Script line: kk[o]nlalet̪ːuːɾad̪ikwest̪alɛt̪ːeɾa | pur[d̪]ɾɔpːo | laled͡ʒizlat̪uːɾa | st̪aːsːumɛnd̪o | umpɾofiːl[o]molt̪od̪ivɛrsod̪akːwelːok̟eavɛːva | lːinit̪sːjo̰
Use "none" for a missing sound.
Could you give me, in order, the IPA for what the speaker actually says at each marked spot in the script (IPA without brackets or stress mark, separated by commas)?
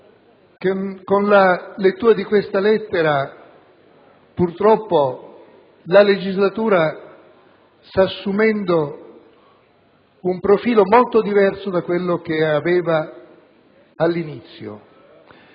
o, t̪, o